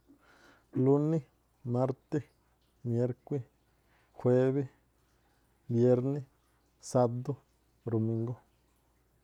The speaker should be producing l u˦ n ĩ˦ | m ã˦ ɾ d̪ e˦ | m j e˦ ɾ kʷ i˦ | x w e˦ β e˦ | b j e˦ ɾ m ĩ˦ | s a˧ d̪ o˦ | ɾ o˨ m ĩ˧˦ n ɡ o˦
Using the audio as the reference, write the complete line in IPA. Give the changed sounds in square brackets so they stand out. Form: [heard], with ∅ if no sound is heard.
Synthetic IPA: l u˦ n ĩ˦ | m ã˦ ɾ [t̪] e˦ | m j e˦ ɾ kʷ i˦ | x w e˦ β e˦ | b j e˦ ɾ [n] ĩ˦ | s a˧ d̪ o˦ | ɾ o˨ m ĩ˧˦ [ŋ] ɡ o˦